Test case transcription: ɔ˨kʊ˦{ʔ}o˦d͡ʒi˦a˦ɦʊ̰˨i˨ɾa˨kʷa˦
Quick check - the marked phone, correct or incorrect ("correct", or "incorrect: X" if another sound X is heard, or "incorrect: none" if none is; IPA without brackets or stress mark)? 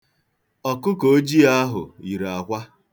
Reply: incorrect: k